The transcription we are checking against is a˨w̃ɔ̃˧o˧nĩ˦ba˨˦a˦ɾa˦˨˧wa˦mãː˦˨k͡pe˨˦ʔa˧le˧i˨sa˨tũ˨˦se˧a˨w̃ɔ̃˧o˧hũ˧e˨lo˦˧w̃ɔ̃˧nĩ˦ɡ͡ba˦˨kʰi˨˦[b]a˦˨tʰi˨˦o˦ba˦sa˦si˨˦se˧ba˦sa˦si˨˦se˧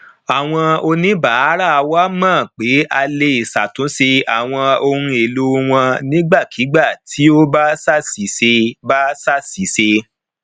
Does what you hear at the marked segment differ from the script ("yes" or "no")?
yes